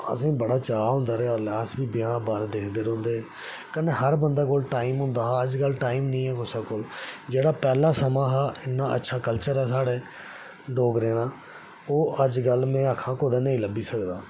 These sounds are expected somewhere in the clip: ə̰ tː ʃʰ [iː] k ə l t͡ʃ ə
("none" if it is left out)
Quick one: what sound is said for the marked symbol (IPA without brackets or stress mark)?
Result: aː